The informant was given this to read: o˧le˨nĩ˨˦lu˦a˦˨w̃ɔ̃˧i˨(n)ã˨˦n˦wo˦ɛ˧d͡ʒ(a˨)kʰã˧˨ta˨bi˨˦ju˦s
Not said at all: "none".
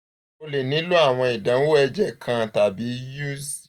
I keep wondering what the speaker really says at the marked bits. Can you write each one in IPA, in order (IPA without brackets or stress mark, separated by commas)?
d, ɛ˨